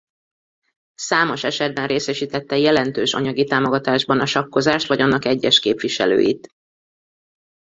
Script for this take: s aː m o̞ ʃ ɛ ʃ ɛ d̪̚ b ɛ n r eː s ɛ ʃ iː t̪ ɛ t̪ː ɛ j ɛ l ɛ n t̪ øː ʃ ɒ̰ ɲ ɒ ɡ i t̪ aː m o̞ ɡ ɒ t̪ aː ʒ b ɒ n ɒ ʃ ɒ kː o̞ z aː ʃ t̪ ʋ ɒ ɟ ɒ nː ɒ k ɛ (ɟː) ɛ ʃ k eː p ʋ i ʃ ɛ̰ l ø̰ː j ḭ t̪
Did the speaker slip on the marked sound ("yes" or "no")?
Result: no